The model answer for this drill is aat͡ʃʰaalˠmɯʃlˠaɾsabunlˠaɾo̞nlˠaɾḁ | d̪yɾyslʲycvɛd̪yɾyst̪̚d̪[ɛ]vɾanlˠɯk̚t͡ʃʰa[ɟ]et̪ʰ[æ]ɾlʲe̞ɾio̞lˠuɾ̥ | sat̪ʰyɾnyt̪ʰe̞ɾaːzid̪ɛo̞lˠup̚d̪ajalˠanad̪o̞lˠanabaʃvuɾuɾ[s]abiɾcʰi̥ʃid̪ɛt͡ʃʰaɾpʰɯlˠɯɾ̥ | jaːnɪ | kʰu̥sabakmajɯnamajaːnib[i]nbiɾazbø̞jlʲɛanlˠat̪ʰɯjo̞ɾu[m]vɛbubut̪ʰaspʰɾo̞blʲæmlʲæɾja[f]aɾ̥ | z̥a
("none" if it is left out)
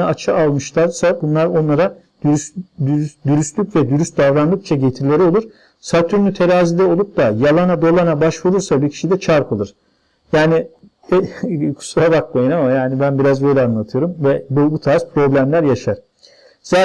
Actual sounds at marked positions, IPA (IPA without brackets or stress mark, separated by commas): a, ɟ, i, s, æ, m, ʃ